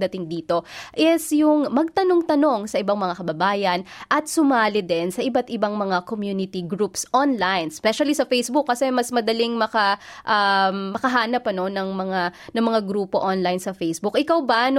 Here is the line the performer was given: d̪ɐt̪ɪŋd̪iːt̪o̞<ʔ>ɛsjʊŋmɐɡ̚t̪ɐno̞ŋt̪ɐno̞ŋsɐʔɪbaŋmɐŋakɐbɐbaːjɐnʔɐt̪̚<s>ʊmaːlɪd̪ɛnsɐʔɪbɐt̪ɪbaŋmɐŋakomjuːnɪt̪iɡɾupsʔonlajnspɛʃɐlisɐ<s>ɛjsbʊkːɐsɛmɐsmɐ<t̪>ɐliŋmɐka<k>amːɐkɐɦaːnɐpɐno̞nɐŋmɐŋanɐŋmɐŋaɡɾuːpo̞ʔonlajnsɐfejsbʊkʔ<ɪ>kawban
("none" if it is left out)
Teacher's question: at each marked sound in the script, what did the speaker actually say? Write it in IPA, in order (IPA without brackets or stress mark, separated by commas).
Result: ʔ, s, f, d̪, ʔ, ɪ